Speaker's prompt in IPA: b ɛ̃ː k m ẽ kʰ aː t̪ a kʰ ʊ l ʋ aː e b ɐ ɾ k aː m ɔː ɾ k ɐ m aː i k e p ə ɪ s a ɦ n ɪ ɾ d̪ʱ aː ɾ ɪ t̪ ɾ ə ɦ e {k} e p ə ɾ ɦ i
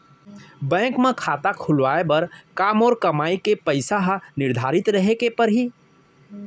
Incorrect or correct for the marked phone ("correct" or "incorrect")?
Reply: correct